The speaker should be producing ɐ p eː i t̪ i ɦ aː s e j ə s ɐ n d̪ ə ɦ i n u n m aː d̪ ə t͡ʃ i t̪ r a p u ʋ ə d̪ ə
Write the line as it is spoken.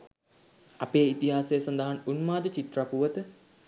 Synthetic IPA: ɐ p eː i t̪ i ɦ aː s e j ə s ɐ n d̪ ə ɦ a n u n m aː d̪ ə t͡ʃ i t̪ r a p u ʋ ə t̪ ə